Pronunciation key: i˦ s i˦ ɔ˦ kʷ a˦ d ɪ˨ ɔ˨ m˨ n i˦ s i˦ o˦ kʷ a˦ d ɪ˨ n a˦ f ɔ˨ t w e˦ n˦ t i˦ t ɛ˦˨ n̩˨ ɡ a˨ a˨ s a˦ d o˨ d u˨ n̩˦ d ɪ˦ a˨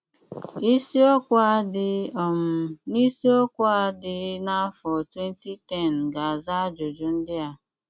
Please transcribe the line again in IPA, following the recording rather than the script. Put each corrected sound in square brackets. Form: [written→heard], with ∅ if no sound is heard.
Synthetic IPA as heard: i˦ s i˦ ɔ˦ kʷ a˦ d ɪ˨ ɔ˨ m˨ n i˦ s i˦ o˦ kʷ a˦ d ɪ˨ n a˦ f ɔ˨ t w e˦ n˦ t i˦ t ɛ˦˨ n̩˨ ɡ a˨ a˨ [s→z] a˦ [d→d͡ʒ] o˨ [d→d͡ʒ] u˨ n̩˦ d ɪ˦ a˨